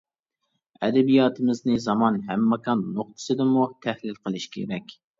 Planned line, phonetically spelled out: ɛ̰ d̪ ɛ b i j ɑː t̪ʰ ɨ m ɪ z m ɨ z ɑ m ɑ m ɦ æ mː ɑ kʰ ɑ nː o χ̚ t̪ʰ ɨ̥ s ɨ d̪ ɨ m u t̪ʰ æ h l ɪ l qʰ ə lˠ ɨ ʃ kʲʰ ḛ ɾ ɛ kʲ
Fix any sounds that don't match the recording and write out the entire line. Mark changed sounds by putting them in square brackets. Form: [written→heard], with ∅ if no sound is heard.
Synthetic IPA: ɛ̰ d̪ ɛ b i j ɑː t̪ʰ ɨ m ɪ z [m→n] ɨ z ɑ m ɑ [m→n] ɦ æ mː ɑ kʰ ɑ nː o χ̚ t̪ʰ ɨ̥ s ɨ d̪ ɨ m u t̪ʰ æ h l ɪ l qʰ ə lˠ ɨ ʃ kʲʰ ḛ ɾ ɛ kʲ